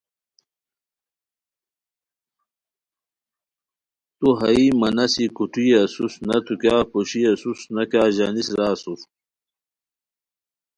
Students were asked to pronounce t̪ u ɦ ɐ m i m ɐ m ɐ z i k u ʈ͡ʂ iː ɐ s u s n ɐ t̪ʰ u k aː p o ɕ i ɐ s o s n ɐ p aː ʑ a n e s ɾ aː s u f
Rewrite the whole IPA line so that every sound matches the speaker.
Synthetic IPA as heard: t̪ u ɦ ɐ i m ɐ n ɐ s i k u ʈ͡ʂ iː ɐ s u s n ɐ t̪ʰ u k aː p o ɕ i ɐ s u s n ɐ k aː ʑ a n i s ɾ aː s u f